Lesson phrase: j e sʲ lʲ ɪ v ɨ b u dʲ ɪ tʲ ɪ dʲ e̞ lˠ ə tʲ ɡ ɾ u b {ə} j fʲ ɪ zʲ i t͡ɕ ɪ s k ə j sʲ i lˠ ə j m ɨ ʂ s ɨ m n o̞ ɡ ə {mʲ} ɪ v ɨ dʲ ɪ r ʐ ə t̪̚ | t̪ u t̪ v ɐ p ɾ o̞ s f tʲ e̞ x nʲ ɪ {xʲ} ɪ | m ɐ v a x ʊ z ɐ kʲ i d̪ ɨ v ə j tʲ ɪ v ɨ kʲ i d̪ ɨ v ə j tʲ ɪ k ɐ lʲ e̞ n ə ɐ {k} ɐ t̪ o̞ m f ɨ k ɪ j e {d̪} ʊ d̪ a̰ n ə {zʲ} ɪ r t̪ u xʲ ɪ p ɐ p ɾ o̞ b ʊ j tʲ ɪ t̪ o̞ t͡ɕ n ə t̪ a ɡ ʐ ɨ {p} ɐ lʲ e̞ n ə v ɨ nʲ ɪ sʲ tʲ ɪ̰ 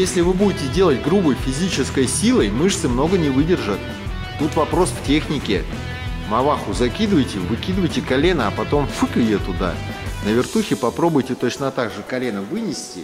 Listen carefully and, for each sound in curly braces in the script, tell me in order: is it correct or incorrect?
correct, incorrect: nʲ, incorrect: kʲ, incorrect: p, incorrect: t̪, incorrect: vʲ, incorrect: k

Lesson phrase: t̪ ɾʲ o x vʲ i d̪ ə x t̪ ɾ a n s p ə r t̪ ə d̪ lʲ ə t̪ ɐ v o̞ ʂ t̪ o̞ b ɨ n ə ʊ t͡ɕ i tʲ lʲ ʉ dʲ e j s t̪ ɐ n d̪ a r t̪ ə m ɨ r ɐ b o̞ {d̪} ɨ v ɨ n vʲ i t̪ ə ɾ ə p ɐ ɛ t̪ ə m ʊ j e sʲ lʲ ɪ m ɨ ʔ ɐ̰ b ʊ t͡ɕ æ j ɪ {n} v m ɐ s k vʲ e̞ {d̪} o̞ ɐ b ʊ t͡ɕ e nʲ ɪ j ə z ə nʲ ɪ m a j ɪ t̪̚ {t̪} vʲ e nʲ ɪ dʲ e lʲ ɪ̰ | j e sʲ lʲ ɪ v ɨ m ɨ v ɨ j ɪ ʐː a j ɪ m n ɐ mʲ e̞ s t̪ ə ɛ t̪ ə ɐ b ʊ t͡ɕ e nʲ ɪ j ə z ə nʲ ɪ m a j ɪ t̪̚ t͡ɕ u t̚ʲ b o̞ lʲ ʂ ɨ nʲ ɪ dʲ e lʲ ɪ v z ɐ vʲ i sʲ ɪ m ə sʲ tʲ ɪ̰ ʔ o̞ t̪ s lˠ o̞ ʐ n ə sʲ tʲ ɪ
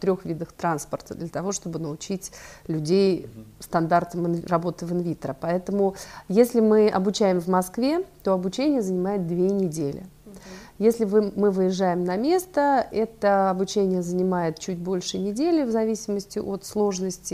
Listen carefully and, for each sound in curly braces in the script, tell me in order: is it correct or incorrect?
incorrect: t̪, incorrect: m, incorrect: t̪, incorrect: d̪

